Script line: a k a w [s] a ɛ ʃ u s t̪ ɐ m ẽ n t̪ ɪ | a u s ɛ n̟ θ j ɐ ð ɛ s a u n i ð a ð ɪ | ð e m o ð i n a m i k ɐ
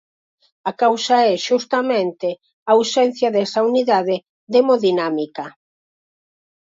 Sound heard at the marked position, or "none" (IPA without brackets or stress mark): s